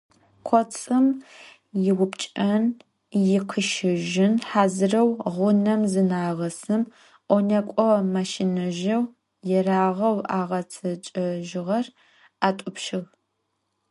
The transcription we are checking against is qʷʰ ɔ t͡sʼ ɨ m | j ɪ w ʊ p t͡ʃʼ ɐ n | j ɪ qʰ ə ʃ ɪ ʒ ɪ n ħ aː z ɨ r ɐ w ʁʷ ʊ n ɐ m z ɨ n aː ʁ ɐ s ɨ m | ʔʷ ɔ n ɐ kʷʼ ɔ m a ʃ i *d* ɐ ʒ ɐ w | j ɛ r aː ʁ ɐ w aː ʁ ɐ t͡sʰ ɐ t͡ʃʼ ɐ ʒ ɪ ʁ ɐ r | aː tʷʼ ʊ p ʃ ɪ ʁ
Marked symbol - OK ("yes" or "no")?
no